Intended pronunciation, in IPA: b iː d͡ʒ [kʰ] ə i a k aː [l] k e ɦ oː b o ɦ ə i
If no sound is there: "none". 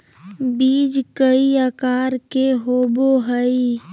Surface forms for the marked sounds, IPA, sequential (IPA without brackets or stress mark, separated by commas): k, ɾ